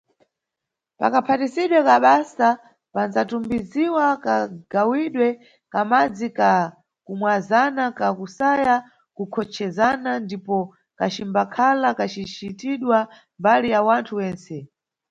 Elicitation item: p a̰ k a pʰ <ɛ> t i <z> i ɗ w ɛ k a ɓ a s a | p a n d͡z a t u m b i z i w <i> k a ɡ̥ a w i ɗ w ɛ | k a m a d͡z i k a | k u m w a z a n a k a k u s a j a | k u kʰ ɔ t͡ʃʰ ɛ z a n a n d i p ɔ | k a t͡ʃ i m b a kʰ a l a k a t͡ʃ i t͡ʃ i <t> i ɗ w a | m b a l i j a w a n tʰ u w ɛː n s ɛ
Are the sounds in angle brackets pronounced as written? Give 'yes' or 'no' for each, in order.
no, no, no, yes

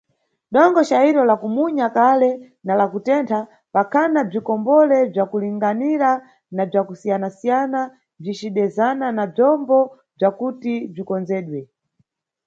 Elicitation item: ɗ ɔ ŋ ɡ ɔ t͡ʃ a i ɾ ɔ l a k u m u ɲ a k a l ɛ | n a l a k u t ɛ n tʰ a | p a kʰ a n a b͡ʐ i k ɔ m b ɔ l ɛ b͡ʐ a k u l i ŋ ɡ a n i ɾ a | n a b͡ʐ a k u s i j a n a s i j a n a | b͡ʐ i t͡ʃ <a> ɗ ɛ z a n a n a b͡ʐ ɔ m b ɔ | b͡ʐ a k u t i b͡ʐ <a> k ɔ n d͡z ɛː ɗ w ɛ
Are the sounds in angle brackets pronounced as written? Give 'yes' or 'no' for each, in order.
no, no

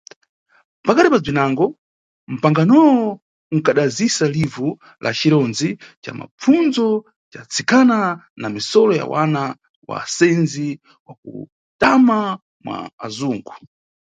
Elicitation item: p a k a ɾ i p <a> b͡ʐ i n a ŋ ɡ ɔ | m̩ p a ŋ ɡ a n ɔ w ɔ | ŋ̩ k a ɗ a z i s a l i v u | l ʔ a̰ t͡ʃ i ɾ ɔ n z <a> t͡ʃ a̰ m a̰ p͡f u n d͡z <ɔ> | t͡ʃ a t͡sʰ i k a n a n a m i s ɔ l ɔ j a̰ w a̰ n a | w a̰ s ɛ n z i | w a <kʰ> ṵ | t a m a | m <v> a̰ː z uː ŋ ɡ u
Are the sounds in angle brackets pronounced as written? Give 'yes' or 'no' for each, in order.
yes, no, yes, no, no

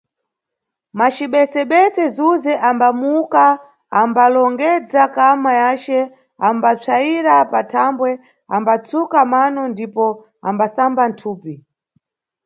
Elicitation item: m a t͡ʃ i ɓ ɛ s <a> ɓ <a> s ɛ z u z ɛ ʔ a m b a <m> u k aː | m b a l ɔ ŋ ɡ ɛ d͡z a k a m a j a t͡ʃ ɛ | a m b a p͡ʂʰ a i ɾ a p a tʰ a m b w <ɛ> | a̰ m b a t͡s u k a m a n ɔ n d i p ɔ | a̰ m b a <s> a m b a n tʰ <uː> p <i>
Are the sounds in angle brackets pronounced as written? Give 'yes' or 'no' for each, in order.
no, no, yes, yes, yes, yes, yes

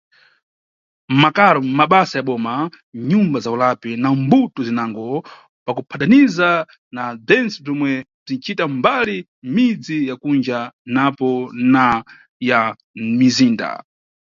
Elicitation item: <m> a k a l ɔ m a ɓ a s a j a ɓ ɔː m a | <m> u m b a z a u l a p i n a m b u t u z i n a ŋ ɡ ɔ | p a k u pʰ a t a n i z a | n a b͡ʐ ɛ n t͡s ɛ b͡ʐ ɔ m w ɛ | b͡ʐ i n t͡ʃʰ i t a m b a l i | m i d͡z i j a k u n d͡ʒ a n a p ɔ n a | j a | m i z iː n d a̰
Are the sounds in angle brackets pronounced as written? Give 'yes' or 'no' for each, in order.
yes, no

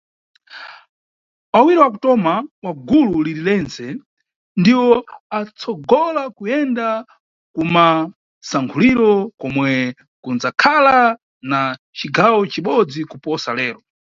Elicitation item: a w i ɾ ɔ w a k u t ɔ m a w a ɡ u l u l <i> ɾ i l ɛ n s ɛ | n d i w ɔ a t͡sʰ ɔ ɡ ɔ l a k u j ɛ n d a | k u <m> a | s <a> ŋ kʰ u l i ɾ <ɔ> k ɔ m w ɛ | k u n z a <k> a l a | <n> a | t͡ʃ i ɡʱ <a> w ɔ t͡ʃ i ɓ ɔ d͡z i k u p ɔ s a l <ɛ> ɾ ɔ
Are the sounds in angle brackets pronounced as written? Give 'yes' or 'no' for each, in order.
yes, yes, yes, yes, no, yes, yes, no

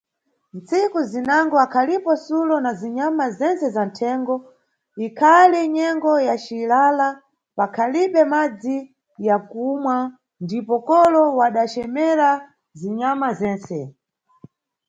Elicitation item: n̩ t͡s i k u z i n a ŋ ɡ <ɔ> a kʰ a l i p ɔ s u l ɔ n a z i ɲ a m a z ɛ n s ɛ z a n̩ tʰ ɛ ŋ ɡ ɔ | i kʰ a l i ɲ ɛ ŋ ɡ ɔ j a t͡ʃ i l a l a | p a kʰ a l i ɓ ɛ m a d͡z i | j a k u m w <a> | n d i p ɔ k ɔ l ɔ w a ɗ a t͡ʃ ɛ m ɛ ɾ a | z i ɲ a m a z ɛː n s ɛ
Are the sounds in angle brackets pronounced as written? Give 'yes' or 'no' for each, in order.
yes, yes

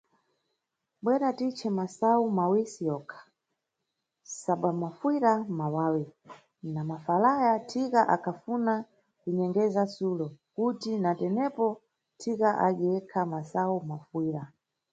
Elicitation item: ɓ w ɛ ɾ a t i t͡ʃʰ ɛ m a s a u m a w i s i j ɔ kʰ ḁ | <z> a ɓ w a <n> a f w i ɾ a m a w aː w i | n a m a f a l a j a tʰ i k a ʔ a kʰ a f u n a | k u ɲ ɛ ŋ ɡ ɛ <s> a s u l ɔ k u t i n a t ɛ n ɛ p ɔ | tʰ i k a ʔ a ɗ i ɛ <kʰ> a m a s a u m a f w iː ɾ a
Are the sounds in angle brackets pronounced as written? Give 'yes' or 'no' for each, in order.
no, no, no, yes

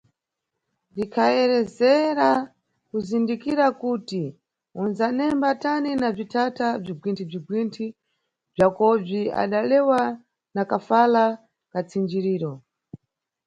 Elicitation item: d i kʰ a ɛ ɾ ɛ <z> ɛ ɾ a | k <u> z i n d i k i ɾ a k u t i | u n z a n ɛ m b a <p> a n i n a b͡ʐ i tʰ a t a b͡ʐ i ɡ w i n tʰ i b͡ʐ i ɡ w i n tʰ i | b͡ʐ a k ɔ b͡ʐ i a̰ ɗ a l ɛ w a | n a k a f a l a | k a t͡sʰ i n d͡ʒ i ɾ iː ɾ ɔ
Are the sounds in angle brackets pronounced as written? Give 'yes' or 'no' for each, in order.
yes, yes, no

